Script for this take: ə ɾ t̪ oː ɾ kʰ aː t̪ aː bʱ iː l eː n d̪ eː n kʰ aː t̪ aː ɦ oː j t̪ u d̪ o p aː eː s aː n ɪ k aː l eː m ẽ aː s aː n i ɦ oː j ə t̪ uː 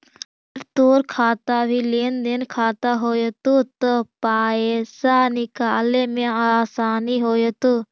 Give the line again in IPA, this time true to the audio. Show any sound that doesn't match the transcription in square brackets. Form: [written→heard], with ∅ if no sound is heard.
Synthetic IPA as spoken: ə ɾ t̪ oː ɾ kʰ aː t̪ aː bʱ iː l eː n d̪ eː n kʰ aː t̪ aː ɦ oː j t̪ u [d̪→t̪] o p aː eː s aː n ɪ k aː l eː m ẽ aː s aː n i ɦ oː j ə t̪ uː